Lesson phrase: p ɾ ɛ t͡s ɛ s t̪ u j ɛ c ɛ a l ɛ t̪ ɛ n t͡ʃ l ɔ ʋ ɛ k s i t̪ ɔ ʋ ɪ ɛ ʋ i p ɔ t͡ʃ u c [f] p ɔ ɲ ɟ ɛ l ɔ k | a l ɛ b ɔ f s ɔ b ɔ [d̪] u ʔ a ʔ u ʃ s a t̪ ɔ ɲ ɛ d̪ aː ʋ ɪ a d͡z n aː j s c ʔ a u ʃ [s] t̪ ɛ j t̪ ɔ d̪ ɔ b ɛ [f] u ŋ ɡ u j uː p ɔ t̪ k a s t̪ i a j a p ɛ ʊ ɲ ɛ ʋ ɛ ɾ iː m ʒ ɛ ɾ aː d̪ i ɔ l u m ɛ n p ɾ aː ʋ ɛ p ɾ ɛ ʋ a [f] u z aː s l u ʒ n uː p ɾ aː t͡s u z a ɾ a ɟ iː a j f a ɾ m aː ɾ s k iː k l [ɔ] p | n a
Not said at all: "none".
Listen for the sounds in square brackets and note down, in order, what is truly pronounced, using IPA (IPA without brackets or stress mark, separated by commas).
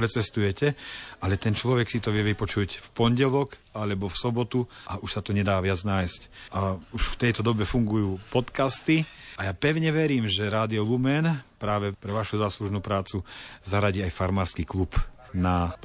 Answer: f, t̪, f, f, ʃ, u